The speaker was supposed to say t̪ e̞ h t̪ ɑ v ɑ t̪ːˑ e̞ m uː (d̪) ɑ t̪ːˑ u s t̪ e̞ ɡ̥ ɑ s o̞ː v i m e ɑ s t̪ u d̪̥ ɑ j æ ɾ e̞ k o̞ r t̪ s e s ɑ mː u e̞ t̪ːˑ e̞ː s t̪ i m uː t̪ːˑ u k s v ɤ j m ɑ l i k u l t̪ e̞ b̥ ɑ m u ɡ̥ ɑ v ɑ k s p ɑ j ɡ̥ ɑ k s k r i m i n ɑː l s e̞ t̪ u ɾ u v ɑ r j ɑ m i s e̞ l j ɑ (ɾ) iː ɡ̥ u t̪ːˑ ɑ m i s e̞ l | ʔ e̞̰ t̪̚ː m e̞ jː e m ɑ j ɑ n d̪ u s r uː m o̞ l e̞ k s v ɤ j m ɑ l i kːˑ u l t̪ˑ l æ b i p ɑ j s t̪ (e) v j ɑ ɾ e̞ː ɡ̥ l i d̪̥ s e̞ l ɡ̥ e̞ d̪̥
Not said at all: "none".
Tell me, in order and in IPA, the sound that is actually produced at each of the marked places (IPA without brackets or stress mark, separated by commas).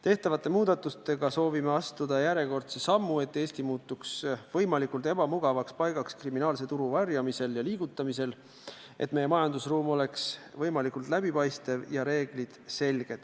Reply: d̪, l, e